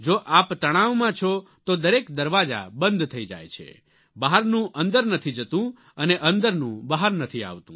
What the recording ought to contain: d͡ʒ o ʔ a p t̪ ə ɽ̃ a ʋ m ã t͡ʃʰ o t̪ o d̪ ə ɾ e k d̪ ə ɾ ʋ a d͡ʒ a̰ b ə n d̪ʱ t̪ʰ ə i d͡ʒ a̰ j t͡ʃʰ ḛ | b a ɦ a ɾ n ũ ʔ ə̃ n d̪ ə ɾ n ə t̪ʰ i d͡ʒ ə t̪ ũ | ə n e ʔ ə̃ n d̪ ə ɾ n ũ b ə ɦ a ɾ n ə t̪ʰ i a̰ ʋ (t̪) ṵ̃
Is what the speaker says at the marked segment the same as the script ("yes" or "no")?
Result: yes